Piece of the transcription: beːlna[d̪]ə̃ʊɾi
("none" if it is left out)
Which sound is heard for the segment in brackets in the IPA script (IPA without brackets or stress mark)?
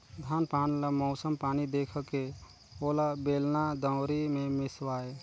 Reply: d̪